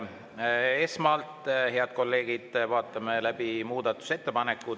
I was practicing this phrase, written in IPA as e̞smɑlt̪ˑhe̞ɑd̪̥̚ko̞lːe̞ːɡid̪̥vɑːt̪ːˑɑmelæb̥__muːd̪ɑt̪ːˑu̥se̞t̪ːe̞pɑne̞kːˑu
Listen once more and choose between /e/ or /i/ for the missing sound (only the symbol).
i